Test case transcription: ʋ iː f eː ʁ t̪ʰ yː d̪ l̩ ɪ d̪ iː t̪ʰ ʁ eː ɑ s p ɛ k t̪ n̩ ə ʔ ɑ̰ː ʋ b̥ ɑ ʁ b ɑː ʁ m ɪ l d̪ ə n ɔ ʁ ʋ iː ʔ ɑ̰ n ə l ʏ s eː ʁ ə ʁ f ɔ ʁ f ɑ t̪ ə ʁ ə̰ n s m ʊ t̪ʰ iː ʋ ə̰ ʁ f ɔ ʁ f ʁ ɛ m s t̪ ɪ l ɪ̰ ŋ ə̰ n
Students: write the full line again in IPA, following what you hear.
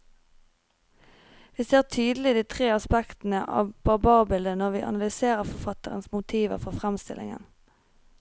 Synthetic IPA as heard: ʋ iː s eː ʁ t̪ʰ yː d̪ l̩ ɪ d̪ iː t̪ʰ ʁ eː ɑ s p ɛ k t̪ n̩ ə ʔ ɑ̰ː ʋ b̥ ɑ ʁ b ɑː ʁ b ɪ l d̪ ə n ɔ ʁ ʋ iː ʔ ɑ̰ n ɑ l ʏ s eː ʁ ə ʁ f ɔ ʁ f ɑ t̪ ə ʁ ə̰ n s m ʊ t̪ʰ iː ʋ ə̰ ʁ f ɔ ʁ f ʁ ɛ m s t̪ ɪ l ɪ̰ ŋ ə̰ n

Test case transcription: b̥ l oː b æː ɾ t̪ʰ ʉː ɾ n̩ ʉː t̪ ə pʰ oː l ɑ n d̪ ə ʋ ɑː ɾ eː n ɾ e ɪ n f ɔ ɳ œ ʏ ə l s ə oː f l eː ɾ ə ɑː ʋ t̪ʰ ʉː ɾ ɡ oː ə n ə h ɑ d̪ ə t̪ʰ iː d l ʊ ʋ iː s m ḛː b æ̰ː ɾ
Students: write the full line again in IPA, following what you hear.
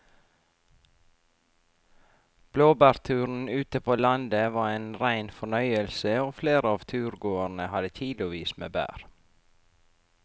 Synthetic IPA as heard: b̥ l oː b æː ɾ t̪ʰ ʉː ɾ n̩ ʉː t̪ ə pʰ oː l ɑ n d̪ ə ʋ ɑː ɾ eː n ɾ æ ɪ n f ɔ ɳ œ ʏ ə l s ə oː f l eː ɾ ə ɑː ʋ t̪ʰ ʉː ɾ ɡ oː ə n ə h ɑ d̪ ə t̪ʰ iː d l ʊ ʋ iː s m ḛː b æ̰ː ɾ

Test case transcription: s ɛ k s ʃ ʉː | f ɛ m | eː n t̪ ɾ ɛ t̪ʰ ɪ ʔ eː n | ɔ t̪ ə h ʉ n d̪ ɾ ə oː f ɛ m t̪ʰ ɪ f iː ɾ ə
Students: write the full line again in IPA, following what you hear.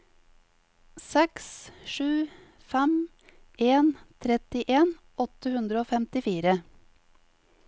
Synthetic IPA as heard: s ɛ k s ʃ ʉː | f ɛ m | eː n t̪ʰ ɾ ɛ t̪ ɪ ʔ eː n | ɔ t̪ ə h ʉ n d̪ ɾ ə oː f ɛ m t̪ ɪ f iː ɾ ə

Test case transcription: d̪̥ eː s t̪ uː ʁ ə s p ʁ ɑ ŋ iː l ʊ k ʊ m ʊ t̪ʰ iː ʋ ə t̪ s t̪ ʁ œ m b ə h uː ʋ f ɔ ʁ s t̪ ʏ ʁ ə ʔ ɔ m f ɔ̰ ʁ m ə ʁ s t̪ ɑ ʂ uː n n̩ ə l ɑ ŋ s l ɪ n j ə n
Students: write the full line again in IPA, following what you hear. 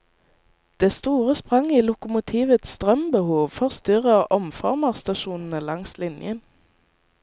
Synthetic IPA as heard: d̪̥ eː s t̪ uː ʁ ə s p ʁ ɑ ŋ iː l ʊ k ʊ m ʊ t̪ʰ iː ʋ ə t̪ s t̪ ʁ œ m b ə h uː ʋ f ɔ ʁ s t̪ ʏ ʁ ə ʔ ɔ m f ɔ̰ ʁ m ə ʁ s t̪ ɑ ʃ uː n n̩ ə l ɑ ŋ s l ɪ n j ə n

